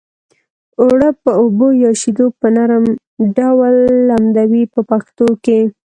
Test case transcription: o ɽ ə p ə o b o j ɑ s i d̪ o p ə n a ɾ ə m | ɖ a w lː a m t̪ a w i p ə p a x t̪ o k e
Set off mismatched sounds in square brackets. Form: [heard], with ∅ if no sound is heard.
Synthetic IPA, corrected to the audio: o ɽ ə p ə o b o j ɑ [ʃ] i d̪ o p ə n a ɾ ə m | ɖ a w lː a m [d̪] a w i p ə p a x t̪ o k e